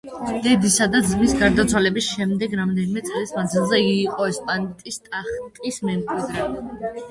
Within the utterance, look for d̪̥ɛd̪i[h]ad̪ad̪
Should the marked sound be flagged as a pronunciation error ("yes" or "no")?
yes